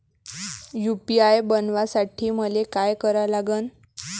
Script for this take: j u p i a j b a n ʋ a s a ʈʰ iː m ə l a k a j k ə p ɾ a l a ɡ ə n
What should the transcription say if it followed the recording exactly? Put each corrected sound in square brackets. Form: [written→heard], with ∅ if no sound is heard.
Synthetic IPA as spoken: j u p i a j b [a→ə] n ʋ a s a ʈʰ iː m ə l [a→e] k a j k ə [p→∅] ɾ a l a ɡ ə n